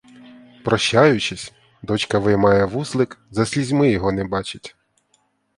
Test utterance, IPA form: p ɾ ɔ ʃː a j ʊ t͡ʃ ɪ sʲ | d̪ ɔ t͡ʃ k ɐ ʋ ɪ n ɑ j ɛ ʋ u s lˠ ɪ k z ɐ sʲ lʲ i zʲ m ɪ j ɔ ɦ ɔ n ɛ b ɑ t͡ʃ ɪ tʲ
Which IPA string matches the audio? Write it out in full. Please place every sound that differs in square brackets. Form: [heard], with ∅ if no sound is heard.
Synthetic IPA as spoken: p ɾ ɔ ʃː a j ʊ t͡ʃ ɪ sʲ | d̪ ɔ t͡ʃ k ɐ ʋ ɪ [m] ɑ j ɛ ʋ u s lˠ ɪ k z ɐ sʲ lʲ i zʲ m ɪ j ɔ ɦ ɔ n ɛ b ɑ t͡ʃ ɪ tʲ